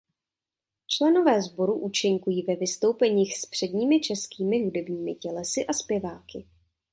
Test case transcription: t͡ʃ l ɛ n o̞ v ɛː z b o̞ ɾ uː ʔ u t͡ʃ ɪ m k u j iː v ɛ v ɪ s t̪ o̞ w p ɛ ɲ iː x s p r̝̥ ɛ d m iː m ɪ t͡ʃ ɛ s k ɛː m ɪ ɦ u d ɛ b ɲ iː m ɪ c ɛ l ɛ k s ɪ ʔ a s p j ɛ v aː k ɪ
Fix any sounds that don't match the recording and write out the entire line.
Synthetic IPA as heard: t͡ʃ l ɛ n o̞ v ɛː z b o̞ ɾ u ʔ u t͡ʃ ɪ ŋ k u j iː v ɛ v ɪ s t̪ o̞ w p ɛ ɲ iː x s p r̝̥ ɛ d ɲ iː m ɪ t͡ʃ ɛ s k iː m ɪ ɦ u d ɛ b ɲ iː m ɪ c ɛ l ɛ s ɪ ʔ a s p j ɛ v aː k ɪ